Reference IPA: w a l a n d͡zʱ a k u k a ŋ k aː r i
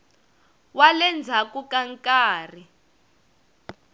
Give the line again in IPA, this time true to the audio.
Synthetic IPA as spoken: w a l ɛ n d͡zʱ a k u k a ŋ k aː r i